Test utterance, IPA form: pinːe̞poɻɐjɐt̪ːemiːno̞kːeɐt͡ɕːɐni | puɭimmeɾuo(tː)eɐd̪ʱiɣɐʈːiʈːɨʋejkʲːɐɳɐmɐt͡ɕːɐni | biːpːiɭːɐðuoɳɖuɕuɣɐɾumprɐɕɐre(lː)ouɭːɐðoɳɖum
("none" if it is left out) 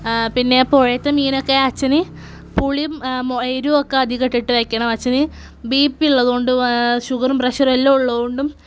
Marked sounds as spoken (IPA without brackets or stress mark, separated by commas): kː, lː